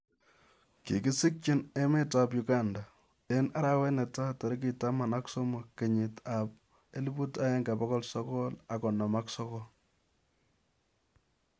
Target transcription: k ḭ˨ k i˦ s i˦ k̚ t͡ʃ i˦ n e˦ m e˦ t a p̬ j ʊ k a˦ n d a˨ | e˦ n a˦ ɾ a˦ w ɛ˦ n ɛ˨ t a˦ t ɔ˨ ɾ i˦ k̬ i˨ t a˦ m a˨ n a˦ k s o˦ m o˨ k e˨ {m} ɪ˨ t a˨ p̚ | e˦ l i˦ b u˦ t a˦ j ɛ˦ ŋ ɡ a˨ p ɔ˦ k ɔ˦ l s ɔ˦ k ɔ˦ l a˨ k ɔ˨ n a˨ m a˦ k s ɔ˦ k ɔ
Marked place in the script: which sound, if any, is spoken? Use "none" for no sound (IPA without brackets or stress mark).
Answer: ɲ